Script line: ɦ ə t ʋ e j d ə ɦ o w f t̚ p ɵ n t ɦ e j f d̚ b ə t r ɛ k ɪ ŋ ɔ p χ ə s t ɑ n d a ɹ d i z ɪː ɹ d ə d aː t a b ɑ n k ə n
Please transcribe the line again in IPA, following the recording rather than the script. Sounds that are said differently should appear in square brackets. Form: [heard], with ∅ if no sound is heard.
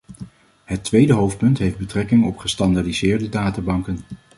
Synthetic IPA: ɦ ə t ʋ e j d ə ɦ o w f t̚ p ɵ n t ɦ e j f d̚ b ə t r ɛ k ɪ ŋ ɔ p χ ə s t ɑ n d a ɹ d i z ɪː ɹ d ə d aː t a b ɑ [ŋ] k ə n

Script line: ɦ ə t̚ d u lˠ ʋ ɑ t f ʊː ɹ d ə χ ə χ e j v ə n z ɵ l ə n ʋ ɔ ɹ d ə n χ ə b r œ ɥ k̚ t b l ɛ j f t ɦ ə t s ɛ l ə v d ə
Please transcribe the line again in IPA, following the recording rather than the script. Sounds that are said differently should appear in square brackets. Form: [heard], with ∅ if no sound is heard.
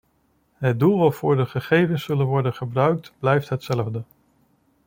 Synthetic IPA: ɦ ə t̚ d u lˠ ʋ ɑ t f ʊː ɹ d ə χ ə χ e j v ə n [s] ɵ l ə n ʋ ɔ ɹ d ə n χ ə b r œ ɥ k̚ t b l ɛ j f t ɦ ə t s ɛ l ə v d ə

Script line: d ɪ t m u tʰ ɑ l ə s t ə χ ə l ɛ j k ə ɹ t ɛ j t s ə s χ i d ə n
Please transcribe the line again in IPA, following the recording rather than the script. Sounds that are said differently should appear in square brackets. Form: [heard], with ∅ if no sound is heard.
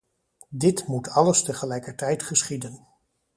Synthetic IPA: d ɪ t m u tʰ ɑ l ə s t ə χ ə l ɛ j k ə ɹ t ɛ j t [χ] ə s χ i d ə n

